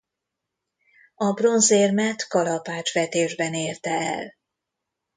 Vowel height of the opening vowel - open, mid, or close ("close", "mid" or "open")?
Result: open